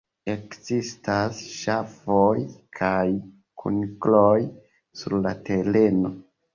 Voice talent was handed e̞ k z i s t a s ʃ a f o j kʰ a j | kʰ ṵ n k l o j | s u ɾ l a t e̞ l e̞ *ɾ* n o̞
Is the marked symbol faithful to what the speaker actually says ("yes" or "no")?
no